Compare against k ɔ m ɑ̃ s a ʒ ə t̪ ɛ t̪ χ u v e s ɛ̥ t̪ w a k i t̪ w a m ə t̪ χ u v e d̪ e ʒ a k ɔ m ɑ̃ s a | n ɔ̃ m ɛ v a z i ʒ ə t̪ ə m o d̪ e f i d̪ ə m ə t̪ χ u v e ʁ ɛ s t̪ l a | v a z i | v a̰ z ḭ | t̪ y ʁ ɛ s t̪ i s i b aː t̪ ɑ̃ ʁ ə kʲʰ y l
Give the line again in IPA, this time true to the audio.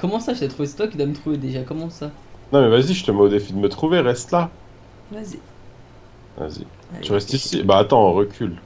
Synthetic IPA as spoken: k ɔ m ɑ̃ s a ʒ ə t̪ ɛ t̪ χ u v e s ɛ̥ t̪ w a k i d̪ w a m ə t̪ χ u v e d̪ e ʒ a k ɔ m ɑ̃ s a | n ɔ̃ m ɛ v a z i ʒ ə t̪ ə m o d̪ e f i d̪ ə m ə t̪ χ u v e ʁ ɛ s t̪ l a | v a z i | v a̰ z ḭ | t̪ y ʁ ɛ s t̪ i s i b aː t̪ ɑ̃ ʁ ə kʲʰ y l